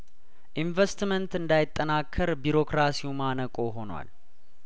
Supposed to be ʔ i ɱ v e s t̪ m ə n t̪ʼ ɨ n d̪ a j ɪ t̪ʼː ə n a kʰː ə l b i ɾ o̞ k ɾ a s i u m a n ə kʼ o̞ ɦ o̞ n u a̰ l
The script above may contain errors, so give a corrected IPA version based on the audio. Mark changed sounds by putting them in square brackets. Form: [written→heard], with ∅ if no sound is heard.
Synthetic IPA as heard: ʔ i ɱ v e s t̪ m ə n [t̪ʼ→t̪] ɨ n d̪ a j ɪ t̪ʼː ə n a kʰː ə [l→ɾ] b i ɾ o̞ k ɾ a s i u m a n ə kʼ o̞ ɦ o̞ n [u→w] a̰ l